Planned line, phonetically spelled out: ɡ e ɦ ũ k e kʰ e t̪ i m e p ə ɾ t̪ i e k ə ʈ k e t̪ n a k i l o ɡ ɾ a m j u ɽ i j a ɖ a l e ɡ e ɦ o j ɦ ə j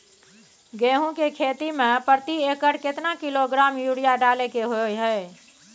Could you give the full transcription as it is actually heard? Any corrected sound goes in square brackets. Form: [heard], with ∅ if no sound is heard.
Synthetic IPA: ɡ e ɦ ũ k e kʰ e t̪ i m e p ə ɾ t̪ i e k ə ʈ k e t̪ n a k i l o ɡ ɾ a m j u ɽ i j a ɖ a l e [k] e ɦ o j ɦ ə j